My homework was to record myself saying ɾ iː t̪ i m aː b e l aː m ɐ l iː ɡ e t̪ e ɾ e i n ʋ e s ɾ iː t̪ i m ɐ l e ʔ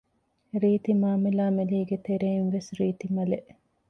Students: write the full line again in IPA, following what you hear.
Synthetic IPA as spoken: ɾ iː t̪ i m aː m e l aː m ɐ l iː ɡ e t̪ e ɾ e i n ʋ e s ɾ iː t̪ i m ɐ l e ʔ